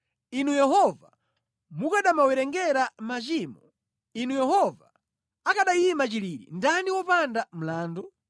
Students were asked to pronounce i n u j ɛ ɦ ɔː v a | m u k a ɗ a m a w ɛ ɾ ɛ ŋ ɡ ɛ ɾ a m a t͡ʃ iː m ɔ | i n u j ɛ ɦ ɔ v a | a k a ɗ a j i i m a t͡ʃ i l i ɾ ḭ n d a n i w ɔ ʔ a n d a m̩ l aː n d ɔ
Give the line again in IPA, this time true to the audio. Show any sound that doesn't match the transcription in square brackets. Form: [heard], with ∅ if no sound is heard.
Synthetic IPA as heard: i n u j ɛ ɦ [ɔ] v a | m u k a ɗ a m a w ɛ ɾ ɛ ŋ ɡ ɛ ɾ a m a t͡ʃ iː m ɔ | i n u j ɛ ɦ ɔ v a | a k a ɗ a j i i m a t͡ʃ i l i ɾ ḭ n d a n i w ɔ [p] a n d a m̩ l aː n d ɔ